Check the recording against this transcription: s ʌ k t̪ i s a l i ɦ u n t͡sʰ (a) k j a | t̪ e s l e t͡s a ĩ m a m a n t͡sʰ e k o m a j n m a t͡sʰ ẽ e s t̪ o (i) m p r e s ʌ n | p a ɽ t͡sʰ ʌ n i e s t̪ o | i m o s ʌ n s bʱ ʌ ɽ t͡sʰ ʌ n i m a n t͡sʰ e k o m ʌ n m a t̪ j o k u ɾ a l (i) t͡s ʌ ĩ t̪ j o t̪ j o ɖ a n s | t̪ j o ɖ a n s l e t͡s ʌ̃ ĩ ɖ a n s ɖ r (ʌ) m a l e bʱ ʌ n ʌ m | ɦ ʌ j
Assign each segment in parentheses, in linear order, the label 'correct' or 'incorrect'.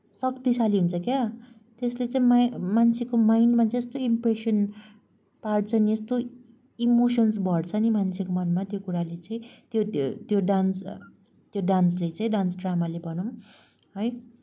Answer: incorrect, correct, incorrect, incorrect

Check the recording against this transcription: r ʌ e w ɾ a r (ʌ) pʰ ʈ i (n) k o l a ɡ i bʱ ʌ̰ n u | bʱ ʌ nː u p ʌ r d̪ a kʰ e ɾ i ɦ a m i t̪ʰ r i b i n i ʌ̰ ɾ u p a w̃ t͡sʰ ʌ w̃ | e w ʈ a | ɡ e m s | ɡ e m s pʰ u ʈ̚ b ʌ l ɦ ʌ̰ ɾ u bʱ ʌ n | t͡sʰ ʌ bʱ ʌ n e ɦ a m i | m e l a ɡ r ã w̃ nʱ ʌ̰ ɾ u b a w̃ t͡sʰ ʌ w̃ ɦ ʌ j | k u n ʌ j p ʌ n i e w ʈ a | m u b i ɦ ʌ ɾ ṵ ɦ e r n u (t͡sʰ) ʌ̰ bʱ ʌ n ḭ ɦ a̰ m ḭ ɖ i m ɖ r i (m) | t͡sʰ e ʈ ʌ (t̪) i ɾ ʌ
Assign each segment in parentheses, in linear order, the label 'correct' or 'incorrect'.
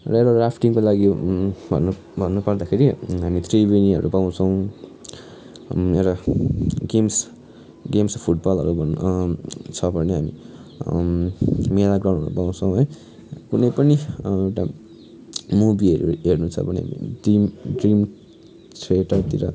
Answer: incorrect, incorrect, correct, correct, correct

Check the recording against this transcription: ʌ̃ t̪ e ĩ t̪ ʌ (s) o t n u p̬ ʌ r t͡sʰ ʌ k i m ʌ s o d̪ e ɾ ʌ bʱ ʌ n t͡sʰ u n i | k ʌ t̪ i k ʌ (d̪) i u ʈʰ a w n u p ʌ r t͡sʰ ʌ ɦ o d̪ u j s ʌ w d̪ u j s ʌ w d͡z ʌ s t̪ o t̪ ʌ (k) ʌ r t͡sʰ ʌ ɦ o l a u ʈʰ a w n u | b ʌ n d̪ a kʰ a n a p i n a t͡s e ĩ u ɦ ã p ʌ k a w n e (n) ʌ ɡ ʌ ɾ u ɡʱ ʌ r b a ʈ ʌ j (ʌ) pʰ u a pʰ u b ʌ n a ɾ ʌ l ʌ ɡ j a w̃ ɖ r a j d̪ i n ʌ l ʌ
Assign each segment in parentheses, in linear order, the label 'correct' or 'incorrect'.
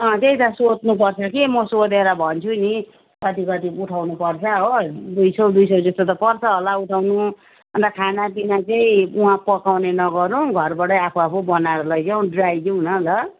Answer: correct, incorrect, incorrect, correct, incorrect

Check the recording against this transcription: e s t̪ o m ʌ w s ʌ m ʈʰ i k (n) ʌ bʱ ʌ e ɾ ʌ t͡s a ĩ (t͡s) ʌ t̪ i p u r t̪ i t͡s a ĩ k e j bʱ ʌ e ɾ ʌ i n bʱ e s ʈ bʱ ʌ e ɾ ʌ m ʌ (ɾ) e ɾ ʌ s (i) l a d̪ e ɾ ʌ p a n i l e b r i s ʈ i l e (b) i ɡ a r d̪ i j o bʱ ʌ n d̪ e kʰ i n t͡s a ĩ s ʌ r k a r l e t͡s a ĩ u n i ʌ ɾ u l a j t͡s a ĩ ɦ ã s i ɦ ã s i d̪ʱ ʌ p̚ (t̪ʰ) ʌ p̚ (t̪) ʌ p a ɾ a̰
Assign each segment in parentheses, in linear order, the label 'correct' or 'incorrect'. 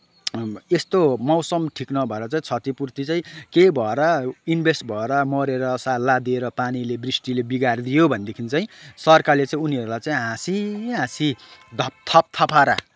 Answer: correct, incorrect, correct, incorrect, correct, correct, incorrect

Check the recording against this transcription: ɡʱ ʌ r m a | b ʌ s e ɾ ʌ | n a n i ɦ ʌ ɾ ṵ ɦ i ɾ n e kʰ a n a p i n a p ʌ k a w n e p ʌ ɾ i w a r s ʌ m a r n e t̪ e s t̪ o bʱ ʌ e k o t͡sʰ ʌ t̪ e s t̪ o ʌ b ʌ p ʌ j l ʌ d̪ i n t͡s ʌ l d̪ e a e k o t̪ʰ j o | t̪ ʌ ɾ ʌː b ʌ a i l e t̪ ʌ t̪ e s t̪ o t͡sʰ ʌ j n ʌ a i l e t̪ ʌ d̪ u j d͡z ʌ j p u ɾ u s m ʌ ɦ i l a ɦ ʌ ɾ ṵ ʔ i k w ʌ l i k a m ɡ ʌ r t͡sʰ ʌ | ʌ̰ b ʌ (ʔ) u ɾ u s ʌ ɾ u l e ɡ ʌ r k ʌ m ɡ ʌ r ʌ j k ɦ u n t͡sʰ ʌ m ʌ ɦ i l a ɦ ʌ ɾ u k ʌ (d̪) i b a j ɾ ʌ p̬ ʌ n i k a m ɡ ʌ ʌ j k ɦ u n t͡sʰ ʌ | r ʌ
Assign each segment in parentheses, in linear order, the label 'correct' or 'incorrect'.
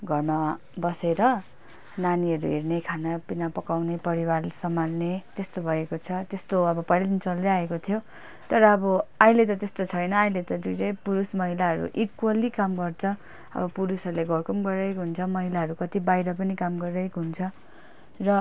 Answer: incorrect, incorrect

